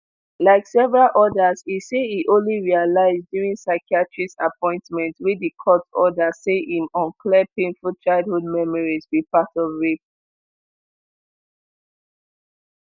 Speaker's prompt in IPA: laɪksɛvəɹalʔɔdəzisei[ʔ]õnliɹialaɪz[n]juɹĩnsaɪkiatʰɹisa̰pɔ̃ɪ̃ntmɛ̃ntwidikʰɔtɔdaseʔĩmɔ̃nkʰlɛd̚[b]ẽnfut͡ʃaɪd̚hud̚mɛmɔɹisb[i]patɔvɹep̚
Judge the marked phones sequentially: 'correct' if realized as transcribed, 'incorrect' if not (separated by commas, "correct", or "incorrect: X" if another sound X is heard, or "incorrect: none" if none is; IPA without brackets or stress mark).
correct, incorrect: d, incorrect: p, correct